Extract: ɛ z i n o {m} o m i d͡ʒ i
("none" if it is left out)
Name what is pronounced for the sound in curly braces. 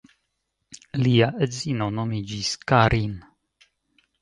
n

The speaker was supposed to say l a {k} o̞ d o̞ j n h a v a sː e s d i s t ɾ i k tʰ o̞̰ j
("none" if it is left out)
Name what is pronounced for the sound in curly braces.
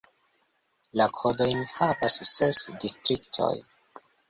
kʰ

